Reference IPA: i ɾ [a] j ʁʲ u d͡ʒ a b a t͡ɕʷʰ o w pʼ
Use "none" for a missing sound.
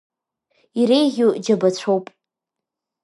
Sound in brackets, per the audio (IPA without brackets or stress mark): e